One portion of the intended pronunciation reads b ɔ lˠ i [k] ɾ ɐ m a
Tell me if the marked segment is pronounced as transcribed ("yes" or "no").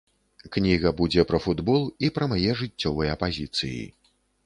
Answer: no